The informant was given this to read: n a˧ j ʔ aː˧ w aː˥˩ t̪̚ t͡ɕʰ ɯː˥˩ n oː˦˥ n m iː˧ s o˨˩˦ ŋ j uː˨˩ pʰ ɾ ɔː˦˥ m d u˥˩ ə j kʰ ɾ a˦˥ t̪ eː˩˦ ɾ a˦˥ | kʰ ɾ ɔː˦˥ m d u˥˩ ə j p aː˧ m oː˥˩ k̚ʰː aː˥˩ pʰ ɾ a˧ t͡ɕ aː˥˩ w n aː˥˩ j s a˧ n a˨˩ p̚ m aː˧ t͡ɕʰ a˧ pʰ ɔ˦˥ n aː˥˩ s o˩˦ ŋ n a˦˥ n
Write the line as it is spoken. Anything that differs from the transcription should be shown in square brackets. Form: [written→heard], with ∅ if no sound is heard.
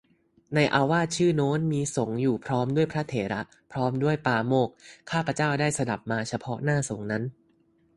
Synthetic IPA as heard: n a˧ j ʔ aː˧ w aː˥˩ t̪̚ t͡ɕʰ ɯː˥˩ n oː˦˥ n m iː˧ s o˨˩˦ ŋ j uː˨˩ pʰ ɾ ɔː˦˥ m d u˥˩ ə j [kʰ→pʰ] ɾ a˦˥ [t̪→t̪ʰ] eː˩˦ ɾ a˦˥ | [kʰ→pʰ] ɾ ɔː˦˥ m d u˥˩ ə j p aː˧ m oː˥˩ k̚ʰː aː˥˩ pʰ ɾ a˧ t͡ɕ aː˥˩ w [n→d] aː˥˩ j s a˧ [n→d] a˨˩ p̚ m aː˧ t͡ɕʰ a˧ pʰ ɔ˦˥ n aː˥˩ s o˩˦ ŋ n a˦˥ n